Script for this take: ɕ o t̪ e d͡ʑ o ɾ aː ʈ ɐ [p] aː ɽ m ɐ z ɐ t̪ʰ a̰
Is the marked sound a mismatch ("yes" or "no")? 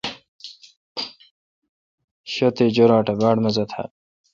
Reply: yes